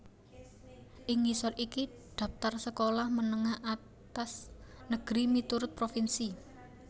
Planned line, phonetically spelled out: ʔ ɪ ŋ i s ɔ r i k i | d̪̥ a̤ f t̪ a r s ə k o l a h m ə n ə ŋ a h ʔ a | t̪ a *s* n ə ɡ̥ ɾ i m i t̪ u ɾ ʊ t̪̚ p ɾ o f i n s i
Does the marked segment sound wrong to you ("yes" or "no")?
no